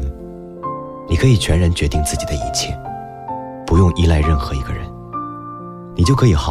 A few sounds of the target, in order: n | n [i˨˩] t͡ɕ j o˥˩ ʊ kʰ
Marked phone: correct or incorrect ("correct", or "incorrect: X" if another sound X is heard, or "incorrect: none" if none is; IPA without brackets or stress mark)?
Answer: correct